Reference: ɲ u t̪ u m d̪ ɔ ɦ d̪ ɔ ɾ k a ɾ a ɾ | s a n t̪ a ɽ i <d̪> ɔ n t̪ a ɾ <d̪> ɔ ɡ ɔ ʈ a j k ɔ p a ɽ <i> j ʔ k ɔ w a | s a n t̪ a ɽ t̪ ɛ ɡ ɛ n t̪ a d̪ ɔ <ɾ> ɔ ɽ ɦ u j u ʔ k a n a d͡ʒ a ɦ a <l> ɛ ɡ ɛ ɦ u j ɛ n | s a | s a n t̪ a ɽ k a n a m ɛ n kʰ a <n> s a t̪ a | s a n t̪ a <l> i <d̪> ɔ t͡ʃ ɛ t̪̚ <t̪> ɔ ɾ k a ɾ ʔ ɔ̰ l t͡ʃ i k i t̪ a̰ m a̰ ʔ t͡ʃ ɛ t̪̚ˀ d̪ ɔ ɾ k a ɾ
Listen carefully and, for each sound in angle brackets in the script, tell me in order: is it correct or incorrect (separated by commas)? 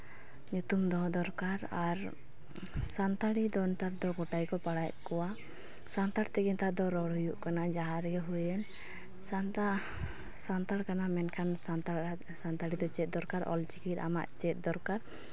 correct, correct, incorrect, correct, incorrect, correct, incorrect, correct, incorrect